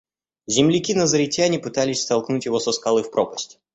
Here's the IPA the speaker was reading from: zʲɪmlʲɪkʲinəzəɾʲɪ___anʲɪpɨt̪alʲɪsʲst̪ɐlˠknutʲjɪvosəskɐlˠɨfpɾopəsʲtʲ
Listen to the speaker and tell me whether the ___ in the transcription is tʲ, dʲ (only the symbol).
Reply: tʲ